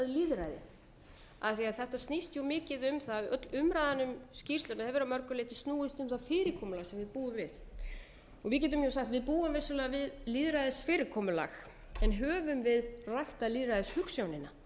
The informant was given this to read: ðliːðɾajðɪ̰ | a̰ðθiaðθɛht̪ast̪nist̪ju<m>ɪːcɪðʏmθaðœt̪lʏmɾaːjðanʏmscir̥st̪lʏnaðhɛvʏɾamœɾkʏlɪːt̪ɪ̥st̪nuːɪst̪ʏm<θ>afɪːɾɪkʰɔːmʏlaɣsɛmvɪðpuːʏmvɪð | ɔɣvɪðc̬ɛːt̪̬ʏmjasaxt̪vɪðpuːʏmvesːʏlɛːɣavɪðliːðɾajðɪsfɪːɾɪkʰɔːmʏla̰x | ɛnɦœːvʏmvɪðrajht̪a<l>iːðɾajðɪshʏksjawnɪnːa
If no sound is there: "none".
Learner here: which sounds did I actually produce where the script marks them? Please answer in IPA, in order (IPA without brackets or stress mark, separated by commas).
m, θ, l